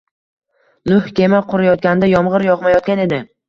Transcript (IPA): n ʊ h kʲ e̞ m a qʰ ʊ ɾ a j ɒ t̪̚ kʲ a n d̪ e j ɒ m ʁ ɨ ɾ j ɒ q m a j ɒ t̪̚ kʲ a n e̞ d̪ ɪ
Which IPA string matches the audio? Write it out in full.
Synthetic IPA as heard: n ʊ h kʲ e̞ m a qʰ ʊ ɾ a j ɒ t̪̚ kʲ a n d̪ a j ɒ m ʁ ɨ ɾ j ɒ q m a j ɒ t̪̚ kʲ a n e̞ d̪ ɪ